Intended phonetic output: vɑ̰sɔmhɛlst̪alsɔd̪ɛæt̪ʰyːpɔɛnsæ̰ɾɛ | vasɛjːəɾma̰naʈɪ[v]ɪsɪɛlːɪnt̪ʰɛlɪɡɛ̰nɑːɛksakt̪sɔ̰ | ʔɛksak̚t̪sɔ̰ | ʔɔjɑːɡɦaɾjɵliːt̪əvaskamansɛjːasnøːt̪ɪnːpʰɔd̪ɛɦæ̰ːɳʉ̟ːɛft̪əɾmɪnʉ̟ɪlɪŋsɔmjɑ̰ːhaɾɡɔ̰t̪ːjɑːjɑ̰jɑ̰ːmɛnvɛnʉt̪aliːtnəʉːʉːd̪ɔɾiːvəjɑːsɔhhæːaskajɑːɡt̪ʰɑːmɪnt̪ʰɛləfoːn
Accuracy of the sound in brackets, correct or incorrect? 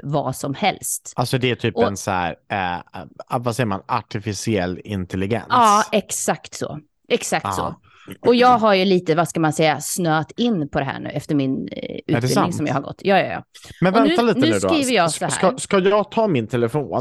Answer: incorrect